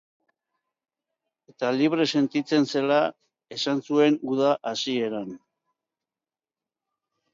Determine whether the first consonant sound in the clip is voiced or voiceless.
voiceless